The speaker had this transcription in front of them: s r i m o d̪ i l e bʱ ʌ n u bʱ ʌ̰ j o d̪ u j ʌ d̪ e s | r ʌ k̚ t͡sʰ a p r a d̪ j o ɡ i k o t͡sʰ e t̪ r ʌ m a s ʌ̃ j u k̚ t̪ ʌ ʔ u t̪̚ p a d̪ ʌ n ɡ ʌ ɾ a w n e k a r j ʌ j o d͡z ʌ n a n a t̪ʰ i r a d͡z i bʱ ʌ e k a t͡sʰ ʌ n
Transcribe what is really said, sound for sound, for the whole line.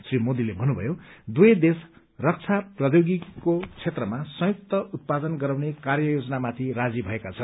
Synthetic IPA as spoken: s r i m o d̪ i l e bʱ ʌ n u bʱ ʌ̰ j o d̪ u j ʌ d̪ e s | r ʌ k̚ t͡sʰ a p r ʌ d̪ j o ɡ i k o t͡sʰ e t̪ r ʌ m a s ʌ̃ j u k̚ t̪ ʌ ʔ u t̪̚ p a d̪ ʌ n ɡ ʌ ɾ a w n e k a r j ʌ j o d͡z ʌ n a m a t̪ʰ i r a d͡z i bʱ ʌ e k a t͡sʰ ʌ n